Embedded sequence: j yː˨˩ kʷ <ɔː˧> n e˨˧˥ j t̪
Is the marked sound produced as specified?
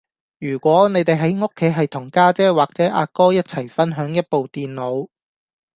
no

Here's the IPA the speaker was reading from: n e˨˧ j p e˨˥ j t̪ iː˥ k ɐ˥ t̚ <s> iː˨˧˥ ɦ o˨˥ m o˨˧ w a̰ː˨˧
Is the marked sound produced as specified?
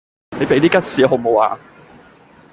yes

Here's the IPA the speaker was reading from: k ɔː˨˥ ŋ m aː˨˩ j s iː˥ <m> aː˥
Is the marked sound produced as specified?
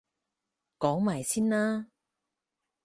no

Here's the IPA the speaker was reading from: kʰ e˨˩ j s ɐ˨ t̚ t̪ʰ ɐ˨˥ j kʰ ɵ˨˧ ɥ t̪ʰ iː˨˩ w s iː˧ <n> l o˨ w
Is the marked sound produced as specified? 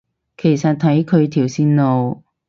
yes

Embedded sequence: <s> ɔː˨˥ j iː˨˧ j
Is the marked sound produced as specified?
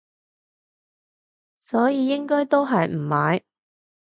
yes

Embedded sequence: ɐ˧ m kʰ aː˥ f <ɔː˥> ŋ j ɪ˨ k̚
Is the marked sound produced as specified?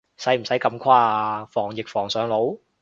no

